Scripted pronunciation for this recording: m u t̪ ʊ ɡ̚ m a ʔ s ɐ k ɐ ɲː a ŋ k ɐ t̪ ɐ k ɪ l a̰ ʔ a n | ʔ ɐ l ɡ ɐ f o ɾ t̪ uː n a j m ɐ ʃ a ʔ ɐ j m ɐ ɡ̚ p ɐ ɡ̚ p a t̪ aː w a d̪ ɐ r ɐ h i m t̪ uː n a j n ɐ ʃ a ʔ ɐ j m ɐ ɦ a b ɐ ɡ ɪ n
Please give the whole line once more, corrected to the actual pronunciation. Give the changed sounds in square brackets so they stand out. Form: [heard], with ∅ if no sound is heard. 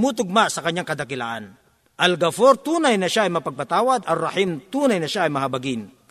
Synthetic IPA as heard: m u t̪ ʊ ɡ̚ m a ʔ s ɐ k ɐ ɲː a ŋ k ɐ [d̪] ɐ k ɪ l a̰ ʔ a n | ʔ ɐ l ɡ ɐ f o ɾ t̪ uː n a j [n] ɐ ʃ a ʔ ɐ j m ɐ [∅] p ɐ ɡ̚ p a t̪ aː w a d̪ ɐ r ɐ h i m t̪ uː n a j n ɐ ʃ a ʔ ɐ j m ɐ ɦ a b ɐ ɡ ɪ n